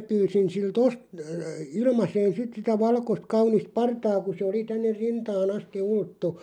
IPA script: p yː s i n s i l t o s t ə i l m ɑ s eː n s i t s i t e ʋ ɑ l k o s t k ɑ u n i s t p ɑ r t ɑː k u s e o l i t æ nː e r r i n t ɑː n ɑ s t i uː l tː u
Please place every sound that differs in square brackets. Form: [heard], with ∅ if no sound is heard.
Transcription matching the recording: p yː s i n s i l t o s t ə i l m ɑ s eː n s i t s i t [æ] ʋ ɑ l k o s t k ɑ u n i s t p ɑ r t ɑː k u s e o l i t æ nː e r r i n t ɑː n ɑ s t i [u] l tː u